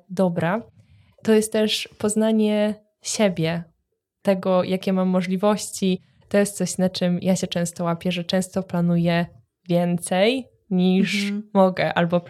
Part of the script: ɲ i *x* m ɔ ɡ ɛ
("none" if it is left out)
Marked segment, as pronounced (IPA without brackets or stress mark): ʂ